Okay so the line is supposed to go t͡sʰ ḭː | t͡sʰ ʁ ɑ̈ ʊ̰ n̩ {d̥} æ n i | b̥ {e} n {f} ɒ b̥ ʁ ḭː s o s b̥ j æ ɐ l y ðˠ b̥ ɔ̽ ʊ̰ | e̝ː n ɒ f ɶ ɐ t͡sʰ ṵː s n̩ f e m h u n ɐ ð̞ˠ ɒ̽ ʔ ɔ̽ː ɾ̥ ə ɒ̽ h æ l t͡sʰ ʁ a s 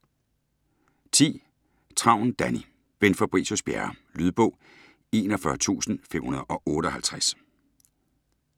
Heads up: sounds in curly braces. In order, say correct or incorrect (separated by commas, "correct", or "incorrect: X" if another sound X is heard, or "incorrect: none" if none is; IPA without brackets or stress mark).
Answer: correct, correct, correct